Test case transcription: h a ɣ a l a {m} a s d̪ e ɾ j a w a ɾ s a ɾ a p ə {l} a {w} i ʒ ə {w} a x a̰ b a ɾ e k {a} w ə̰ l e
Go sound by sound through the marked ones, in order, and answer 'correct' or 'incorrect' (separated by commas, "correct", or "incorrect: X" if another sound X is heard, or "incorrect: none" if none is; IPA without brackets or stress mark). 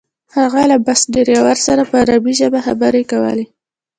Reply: incorrect: b, incorrect: ɾ, incorrect: b, incorrect: b, correct